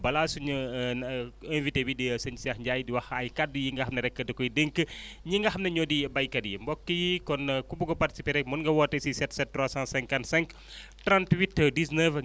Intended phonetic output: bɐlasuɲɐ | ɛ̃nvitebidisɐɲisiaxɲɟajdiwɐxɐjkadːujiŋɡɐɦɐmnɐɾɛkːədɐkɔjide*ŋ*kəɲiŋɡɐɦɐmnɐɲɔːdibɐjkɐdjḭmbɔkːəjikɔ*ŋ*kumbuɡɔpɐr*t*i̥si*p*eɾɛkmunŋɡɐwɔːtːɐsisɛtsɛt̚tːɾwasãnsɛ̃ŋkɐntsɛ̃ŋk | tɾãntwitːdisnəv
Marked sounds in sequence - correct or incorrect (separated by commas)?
correct, incorrect, correct, correct